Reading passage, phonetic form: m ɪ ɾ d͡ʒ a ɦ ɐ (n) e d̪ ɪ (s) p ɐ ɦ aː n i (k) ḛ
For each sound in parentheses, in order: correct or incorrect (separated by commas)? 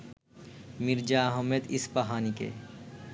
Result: incorrect, correct, correct